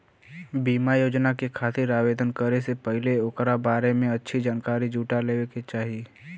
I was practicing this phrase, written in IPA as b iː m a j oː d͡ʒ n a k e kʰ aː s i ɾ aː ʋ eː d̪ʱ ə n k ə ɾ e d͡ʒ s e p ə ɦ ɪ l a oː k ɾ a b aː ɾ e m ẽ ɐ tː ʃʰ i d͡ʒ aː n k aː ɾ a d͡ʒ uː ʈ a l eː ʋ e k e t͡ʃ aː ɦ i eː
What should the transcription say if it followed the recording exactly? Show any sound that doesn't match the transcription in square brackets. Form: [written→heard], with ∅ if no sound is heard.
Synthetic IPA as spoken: b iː m a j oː d͡ʒ n a k e kʰ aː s i ɾ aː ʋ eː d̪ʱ ə n k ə ɾ e [d͡ʒ→∅] s e p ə ɦ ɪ l [a→e] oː k ɾ a b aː ɾ e m ẽ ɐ tː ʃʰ i d͡ʒ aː n k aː ɾ [a→i] d͡ʒ uː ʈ a l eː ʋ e k e t͡ʃ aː ɦ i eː